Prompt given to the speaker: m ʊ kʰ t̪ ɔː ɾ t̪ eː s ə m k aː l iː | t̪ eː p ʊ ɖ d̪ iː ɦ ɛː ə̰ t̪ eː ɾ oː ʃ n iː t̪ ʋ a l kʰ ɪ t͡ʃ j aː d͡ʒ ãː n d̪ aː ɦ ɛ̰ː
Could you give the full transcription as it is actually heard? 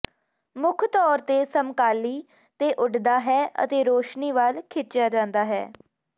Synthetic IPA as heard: m ʊ kʰ t̪ ɔː ɾ t̪ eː s ə m k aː l iː | t̪ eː ʔ ʊ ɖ d̪ aː ɦ ɛː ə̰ t̪ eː ɾ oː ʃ n iː ʋ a l kʰ ɪ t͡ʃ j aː d͡ʒ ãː n d̪ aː ɦ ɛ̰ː